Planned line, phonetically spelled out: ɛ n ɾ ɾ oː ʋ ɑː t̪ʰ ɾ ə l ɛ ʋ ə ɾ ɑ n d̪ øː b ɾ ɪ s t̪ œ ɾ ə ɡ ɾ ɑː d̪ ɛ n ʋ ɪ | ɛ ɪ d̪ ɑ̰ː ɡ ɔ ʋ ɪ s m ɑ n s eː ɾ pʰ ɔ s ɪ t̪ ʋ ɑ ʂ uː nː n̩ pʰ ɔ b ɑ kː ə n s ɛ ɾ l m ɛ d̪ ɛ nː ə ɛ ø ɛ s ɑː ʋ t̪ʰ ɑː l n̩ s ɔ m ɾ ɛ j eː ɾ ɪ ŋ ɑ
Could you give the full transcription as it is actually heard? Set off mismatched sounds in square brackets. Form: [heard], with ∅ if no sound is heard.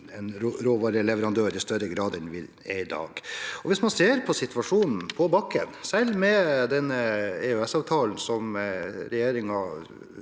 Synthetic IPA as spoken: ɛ n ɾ ɾ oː ʋ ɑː [∅] ɾ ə l ɛ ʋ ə ɾ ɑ n d̪ øː [∅] ɾ ɪ s t̪ œ ɾ ə ɡ ɾ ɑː d̪ ɛ n ʋ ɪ | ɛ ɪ d̪ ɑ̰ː ɡ ɔ ʋ ɪ s m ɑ n s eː ɾ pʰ ɔ s ɪ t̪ ʋ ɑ ʂ uː [n] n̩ pʰ ɔ b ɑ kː ə n s ɛ [∅] l m ɛ d̪ ɛ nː ə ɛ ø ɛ s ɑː ʋ t̪ʰ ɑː l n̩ s ɔ m ɾ ɛ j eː ɾ ɪ ŋ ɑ

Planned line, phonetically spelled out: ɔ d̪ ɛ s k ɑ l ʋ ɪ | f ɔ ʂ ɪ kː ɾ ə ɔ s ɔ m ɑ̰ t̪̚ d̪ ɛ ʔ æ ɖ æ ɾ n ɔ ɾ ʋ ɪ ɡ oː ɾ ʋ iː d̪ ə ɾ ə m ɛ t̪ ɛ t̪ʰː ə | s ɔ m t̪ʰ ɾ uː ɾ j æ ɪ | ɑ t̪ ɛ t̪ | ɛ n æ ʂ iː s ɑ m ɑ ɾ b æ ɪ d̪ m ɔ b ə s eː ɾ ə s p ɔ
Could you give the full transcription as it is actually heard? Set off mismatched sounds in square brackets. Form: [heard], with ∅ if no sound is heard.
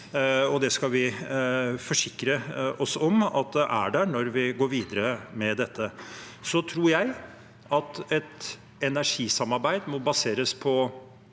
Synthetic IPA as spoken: ɔ d̪ ɛ s k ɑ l ʋ ɪ | f ɔ ʂ ɪ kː ɾ ə ɔ s ɔ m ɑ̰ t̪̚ d̪ ɛ ʔ æ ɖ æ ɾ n ɔ ɾ ʋ ɪ ɡ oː ɾ ʋ iː d̪ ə ɾ ə m ɛ [d̪] ɛ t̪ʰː ə | s ɔ [∅] t̪ʰ ɾ uː ɾ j æ ɪ | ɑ t̪ ɛ t̪ | ɛ n æ ʂ iː s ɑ m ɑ ɾ b æ ɪ d̪ m ɔ b [ɑ] s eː ɾ ə s [pʰ] ɔ

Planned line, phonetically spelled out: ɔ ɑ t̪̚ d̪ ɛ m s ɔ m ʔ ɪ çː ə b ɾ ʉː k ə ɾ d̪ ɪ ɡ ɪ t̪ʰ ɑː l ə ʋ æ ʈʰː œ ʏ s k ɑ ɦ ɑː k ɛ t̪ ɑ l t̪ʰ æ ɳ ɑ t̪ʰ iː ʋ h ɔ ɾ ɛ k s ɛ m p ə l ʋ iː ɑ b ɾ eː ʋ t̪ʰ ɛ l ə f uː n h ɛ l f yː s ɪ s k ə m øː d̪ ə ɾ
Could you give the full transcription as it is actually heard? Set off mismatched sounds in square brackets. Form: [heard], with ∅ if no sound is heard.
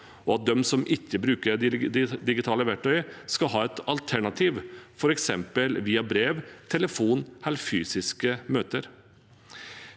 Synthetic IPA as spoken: ɔ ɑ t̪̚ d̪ ɛ m s ɔ m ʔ ɪ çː ə b ɾ ʉː k ə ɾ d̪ ɪ ɡ ɪ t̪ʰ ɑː l ə ʋ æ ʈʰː œ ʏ s k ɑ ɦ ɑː [∅] ɛ t̪ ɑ l t̪ʰ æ ɳ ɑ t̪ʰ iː ʋ [f] ɔ ɾ ɛ k s ɛ m p ə l ʋ iː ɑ b ɾ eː ʋ t̪ʰ ɛ l ə f uː n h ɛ l f yː s ɪ s k ə m øː [t̪] ə ɾ

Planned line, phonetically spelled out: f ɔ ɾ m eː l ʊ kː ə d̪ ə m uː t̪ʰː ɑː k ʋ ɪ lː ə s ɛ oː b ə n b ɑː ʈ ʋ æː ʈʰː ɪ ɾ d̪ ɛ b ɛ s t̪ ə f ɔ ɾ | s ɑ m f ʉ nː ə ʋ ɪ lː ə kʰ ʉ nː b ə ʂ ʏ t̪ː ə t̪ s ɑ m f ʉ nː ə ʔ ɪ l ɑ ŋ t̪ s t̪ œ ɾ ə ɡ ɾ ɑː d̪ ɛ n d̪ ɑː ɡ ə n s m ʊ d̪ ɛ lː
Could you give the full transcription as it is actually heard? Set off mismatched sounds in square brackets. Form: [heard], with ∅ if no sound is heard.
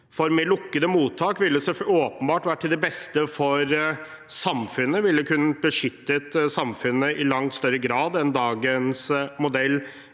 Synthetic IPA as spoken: f ɔ ɾ m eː l ʊ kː ə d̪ ə m uː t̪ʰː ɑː k ʋ ɪ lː ə s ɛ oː [p] ə n b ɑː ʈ ʋ æː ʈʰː ɪ [l] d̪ ɛ b ɛ s t̪ ə f ɔ ɾ | s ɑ m f ʉ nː ə ʋ ɪ lː ə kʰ ʉ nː b ə ʂ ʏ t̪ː ə t̪ s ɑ m f ʉ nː ə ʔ ɪ l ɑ ŋ t̪ s t̪ œ ɾ ə ɡ ɾ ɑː d̪ ɛ n d̪ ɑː ɡ ə n s m ʊ d̪ ɛ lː

